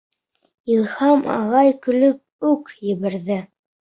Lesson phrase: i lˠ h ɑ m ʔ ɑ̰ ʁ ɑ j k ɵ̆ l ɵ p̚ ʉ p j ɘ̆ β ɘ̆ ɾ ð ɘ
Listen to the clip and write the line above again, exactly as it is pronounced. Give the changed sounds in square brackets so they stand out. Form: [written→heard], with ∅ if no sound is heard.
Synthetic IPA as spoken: i lˠ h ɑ m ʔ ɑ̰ ʁ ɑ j k ɵ̆ l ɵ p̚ ʉ [p→k] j ɘ̆ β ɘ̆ ɾ ð ɘ